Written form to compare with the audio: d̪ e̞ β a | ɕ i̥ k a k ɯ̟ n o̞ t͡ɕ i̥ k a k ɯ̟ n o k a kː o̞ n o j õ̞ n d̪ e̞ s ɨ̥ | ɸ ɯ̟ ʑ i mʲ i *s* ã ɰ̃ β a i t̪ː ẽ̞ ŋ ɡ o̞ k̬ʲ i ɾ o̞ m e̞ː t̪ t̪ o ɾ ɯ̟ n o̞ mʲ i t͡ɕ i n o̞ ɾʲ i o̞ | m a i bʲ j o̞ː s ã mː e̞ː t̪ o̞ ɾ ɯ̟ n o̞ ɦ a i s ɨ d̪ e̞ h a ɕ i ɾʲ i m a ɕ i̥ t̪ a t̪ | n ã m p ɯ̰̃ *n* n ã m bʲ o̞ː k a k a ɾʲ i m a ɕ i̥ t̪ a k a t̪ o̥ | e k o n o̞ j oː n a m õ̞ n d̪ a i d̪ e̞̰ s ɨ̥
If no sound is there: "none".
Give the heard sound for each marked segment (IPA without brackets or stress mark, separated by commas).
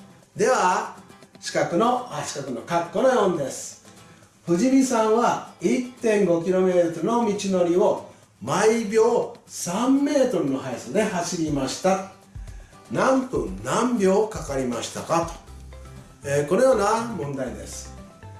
s, n